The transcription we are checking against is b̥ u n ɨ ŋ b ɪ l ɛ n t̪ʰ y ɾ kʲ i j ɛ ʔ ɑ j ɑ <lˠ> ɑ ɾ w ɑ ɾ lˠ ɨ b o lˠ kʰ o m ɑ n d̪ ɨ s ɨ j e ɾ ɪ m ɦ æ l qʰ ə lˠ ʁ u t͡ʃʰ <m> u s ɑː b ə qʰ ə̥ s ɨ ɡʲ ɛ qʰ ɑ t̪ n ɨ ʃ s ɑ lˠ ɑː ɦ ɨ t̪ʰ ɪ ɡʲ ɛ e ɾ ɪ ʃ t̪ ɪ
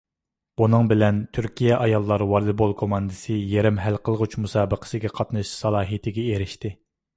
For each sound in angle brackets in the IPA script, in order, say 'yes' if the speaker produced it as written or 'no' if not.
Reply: no, yes

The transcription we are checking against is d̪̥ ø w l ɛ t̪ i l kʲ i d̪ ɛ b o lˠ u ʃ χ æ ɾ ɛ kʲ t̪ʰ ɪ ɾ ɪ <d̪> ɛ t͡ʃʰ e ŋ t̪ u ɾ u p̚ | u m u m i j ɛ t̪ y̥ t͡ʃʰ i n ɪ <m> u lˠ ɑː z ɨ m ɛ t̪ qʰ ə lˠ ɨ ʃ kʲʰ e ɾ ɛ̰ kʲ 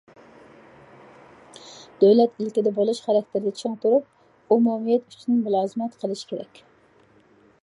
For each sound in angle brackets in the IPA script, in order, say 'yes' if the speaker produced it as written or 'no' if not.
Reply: yes, yes

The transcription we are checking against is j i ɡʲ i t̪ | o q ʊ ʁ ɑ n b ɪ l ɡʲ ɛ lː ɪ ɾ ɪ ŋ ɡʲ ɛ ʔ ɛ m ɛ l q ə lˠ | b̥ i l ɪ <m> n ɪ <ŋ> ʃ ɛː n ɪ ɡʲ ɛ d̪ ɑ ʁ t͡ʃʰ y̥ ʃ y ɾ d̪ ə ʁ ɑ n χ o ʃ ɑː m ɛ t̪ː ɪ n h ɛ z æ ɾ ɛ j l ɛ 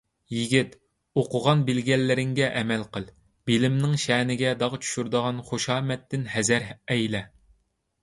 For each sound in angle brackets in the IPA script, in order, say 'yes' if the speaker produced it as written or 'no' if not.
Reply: yes, yes

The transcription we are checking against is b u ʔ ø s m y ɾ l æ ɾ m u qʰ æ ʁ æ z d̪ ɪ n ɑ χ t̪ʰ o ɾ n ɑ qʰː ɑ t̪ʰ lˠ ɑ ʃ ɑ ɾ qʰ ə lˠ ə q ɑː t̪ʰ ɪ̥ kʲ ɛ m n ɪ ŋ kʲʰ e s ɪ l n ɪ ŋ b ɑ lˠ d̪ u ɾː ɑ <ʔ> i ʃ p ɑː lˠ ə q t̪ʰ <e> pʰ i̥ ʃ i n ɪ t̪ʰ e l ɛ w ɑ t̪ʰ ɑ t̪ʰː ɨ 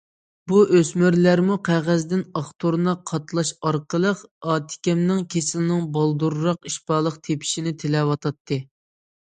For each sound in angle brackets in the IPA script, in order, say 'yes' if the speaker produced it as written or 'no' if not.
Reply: no, yes

